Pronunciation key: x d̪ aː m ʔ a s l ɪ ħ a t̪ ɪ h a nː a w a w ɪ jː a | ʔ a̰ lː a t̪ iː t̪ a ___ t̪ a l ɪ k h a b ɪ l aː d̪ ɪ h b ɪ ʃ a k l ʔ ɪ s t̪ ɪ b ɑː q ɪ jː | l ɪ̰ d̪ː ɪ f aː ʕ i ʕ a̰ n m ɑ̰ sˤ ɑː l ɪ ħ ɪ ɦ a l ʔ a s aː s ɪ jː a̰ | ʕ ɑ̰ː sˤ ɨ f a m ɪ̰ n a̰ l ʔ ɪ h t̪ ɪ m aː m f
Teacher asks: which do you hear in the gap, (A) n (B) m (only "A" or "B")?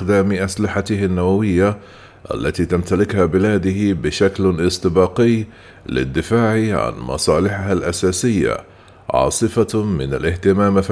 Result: B